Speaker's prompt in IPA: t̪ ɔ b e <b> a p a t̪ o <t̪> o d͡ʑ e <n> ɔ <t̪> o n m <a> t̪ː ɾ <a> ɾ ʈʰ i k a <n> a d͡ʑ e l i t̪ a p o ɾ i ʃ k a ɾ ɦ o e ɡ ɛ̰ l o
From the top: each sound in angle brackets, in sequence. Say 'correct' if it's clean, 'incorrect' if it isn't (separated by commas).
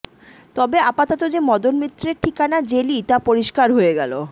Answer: incorrect, correct, incorrect, incorrect, incorrect, incorrect, correct